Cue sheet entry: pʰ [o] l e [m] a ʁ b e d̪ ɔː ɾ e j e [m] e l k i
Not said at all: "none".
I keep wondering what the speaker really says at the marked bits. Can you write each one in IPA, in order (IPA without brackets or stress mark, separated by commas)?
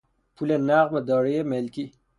u, n, m